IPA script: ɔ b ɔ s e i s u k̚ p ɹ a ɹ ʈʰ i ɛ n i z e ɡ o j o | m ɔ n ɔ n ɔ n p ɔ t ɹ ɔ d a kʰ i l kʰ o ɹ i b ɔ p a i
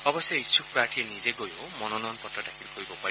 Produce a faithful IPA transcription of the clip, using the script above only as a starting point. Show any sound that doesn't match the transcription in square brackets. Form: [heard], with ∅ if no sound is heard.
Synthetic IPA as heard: ɔ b ɔ s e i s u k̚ p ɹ a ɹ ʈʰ i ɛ n i z e ɡ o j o | m ɔ n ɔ n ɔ n p ɔ t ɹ ɔ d a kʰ i l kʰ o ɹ i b ɔ p a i